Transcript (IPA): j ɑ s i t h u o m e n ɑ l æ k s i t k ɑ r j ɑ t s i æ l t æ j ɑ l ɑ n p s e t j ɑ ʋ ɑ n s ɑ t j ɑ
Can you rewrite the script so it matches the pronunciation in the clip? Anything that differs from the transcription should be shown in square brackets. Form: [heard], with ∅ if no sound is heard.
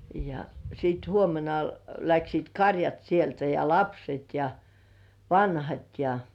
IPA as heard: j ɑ s [iː] t h u o m e n ɑ l æ k s [iː] t k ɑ r j ɑ t s i [e] l t æ j ɑ l ɑ [∅] p s e t j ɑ ʋ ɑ n [h] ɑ t j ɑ